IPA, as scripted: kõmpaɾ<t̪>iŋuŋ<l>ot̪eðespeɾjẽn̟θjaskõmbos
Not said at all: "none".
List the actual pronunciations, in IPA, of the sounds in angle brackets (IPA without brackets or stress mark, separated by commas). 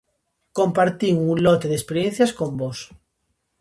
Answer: t̪, l